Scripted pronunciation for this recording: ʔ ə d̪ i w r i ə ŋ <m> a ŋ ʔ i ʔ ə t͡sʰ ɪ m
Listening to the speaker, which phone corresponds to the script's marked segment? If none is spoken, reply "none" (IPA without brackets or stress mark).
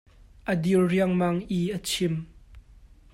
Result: m